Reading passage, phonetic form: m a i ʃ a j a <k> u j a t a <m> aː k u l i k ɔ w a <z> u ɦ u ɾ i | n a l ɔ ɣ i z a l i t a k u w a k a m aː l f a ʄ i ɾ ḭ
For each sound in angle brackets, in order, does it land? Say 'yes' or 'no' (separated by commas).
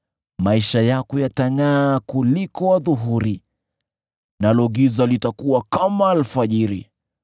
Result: yes, no, no